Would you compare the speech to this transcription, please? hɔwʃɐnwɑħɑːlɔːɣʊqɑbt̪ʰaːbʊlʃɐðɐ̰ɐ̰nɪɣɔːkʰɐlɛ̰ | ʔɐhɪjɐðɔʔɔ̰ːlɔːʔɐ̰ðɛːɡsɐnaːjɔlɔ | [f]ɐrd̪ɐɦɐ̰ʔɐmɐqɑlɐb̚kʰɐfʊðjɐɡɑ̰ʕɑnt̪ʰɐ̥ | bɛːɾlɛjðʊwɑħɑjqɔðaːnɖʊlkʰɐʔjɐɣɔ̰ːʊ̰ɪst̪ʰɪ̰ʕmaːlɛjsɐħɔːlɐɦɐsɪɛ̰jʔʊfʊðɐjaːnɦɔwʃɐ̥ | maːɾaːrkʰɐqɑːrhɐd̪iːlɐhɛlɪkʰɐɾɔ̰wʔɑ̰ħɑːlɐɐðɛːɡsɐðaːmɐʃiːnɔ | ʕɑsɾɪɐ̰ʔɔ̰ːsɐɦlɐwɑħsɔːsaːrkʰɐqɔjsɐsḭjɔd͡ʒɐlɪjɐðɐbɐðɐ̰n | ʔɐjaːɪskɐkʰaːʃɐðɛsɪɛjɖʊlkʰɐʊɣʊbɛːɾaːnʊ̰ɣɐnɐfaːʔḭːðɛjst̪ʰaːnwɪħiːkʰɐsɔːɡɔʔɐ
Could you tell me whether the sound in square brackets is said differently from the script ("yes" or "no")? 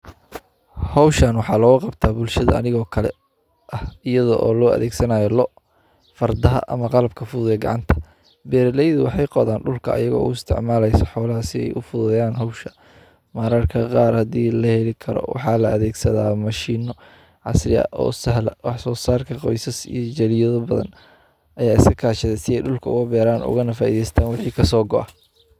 no